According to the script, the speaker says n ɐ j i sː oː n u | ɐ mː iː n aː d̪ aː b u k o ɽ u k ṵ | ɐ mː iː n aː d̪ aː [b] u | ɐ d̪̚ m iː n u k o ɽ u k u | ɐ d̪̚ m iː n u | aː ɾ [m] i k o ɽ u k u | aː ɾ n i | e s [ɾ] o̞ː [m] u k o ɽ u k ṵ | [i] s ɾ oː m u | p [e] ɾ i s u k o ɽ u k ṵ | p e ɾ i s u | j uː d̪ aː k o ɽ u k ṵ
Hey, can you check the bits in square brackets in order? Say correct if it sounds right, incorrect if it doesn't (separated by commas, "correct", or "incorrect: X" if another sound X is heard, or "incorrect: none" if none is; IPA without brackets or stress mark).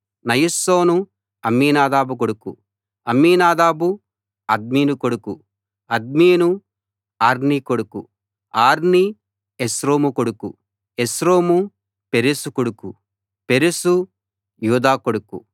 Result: correct, incorrect: n, correct, correct, incorrect: e, correct